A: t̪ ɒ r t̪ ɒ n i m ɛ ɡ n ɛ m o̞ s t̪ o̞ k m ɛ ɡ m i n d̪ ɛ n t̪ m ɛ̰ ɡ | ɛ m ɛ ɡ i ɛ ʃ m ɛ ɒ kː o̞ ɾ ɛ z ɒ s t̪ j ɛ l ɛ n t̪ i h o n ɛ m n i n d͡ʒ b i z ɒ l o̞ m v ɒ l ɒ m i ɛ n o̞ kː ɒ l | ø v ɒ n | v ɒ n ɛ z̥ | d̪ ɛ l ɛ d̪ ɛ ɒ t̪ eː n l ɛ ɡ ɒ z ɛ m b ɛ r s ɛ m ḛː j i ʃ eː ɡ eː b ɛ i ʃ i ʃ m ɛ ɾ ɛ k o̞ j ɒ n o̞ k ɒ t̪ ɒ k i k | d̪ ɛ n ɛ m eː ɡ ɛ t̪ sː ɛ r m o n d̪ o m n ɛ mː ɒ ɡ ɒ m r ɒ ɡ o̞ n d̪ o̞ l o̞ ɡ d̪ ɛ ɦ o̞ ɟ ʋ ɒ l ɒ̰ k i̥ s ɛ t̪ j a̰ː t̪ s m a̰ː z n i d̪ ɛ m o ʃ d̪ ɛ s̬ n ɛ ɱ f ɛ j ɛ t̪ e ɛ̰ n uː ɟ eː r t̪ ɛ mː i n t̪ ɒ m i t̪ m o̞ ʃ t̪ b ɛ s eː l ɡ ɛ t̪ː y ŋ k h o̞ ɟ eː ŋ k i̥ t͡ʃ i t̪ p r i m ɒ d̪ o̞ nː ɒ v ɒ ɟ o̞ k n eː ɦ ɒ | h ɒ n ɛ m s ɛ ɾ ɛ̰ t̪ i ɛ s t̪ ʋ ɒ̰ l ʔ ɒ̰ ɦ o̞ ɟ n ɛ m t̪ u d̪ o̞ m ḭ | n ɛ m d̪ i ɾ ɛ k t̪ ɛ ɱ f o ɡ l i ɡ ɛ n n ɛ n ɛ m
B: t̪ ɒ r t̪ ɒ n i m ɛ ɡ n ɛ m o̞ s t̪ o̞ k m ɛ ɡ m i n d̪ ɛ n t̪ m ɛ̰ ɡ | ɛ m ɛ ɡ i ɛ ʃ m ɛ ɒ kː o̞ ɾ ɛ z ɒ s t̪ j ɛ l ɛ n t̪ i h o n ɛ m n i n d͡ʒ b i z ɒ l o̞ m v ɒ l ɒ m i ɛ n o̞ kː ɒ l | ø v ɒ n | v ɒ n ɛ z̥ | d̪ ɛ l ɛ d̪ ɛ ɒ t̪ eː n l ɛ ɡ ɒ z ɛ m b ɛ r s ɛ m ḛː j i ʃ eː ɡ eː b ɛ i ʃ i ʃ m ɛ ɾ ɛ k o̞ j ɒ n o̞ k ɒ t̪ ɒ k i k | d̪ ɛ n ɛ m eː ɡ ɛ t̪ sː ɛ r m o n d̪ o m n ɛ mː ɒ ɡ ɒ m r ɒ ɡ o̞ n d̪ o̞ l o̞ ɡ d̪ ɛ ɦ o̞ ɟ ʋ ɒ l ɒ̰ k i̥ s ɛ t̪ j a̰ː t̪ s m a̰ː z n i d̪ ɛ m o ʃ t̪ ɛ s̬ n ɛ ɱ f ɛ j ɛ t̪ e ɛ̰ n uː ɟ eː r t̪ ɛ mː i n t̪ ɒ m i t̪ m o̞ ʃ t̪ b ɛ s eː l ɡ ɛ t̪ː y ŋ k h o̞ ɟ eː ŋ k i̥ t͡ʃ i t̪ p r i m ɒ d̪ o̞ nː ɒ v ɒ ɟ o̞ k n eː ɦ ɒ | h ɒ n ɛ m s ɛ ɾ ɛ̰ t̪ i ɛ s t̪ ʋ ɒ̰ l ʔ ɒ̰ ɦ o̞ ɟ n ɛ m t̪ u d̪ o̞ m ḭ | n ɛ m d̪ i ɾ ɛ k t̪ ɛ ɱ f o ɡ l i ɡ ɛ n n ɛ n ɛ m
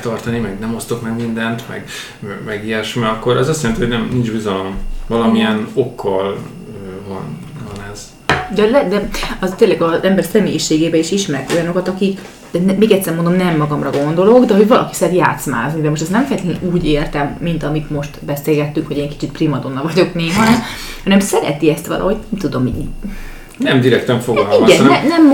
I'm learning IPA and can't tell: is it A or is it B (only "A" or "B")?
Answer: B